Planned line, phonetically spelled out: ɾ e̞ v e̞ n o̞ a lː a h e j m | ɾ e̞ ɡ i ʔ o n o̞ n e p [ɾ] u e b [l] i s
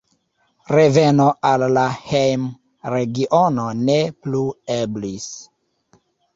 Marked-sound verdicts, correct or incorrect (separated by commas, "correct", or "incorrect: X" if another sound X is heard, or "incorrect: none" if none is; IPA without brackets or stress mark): incorrect: l, correct